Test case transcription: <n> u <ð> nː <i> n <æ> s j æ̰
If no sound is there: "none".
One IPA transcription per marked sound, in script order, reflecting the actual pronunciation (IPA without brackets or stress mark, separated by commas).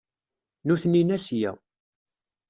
n, θ, i, æ